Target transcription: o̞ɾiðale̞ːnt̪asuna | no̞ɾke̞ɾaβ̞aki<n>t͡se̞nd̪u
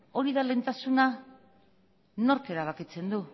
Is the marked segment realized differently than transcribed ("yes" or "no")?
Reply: yes